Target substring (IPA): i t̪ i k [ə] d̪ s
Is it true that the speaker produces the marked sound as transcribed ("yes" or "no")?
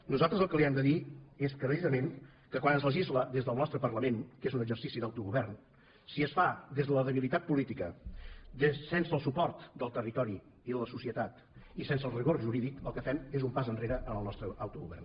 yes